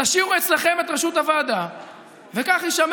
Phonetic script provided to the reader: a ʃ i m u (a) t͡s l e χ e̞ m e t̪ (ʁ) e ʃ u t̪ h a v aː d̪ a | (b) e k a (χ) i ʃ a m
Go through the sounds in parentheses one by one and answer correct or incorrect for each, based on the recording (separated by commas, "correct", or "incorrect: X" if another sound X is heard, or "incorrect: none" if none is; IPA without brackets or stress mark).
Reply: incorrect: e, correct, incorrect: v, correct